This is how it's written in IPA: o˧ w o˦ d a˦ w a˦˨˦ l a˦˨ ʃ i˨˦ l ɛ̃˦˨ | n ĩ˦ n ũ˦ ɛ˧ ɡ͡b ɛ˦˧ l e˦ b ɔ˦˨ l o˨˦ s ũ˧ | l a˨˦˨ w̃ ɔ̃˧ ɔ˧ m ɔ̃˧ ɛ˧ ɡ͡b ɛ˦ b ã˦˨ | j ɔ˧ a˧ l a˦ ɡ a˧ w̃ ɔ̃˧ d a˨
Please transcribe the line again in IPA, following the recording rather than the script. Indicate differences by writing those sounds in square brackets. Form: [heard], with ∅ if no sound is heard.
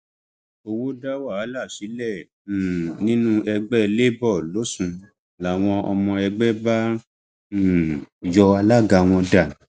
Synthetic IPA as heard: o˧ w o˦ d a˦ w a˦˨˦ l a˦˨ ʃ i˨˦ l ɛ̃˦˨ | n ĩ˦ n ũ˦ ɛ˧ ɡ͡b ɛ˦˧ l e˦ b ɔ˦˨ l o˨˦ s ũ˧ | l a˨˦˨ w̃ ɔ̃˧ ɔ˧ m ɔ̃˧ ɛ˧ ɡ͡b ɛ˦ b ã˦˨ | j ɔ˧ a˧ l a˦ ɡ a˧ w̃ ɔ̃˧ d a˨